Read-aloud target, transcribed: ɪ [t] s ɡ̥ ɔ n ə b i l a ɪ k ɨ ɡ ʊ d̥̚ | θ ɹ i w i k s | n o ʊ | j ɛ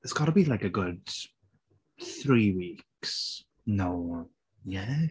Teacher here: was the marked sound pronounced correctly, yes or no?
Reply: yes